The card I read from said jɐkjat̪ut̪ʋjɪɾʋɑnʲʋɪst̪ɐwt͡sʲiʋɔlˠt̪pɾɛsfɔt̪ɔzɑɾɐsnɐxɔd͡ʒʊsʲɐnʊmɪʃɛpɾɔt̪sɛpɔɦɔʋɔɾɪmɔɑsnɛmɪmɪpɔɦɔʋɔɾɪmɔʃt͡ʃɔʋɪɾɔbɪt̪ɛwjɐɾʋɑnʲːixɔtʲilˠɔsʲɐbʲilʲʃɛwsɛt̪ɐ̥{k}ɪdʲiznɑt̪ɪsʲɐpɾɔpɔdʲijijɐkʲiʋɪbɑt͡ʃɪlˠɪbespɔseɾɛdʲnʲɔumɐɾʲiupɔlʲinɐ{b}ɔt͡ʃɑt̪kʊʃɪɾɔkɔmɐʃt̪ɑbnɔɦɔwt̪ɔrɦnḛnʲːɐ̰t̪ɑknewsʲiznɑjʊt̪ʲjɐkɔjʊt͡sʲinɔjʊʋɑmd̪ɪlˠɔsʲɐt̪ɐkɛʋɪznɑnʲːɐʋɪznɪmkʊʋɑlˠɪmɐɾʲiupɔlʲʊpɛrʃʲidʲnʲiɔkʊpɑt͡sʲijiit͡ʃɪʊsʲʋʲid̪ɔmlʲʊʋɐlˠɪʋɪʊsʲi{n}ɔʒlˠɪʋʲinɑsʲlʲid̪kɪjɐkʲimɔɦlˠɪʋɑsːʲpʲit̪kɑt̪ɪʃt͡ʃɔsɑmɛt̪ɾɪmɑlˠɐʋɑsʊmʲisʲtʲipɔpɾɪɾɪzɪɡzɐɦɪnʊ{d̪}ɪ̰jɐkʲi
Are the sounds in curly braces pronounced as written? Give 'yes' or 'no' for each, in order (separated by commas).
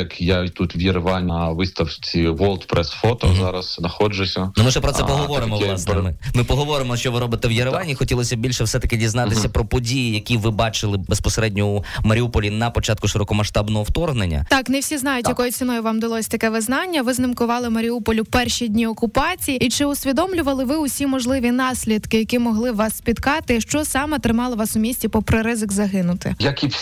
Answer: yes, no, no, no